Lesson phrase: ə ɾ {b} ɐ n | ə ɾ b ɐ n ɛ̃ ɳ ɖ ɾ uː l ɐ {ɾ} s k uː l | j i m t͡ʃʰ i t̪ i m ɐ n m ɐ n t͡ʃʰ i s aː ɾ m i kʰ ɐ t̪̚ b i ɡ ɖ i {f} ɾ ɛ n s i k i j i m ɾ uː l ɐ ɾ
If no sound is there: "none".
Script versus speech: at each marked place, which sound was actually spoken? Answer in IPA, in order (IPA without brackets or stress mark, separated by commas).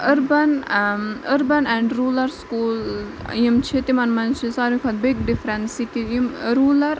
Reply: b, ɾ, f